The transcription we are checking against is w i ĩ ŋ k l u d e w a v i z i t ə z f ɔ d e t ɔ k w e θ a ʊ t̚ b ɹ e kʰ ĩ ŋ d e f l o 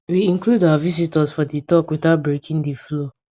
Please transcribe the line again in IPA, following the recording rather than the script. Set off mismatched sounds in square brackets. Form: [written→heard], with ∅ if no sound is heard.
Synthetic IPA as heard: w i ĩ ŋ k l u d [e→a] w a v i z i t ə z f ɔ d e t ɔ k w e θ a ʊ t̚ b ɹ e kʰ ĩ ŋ d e f l o